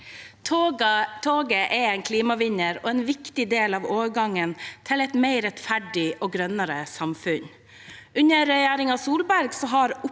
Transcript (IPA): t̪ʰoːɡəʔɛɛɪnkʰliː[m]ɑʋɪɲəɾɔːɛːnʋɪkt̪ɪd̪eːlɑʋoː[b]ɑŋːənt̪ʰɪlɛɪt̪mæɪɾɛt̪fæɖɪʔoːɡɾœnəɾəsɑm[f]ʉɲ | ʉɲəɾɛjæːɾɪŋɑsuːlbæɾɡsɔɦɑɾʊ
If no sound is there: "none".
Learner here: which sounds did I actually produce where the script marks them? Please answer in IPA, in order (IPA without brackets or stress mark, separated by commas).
m, ɡ, f